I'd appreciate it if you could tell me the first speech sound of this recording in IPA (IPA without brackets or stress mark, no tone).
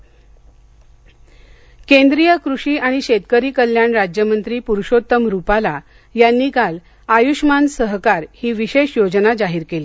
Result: k